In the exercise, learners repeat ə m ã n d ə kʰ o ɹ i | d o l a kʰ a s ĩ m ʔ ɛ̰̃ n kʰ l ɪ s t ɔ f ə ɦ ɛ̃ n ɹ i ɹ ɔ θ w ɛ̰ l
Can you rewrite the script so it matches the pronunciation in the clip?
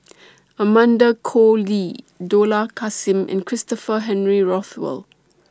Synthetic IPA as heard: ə m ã n d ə kʰ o l i | d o l a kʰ a s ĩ m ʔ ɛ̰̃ n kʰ ɹ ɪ s t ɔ f ə ɦ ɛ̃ n ɹ i ɹ ɔ θ w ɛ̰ l